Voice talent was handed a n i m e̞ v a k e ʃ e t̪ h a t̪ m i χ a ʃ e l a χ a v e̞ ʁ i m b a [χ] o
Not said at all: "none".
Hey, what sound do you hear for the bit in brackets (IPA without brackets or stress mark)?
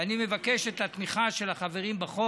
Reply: χ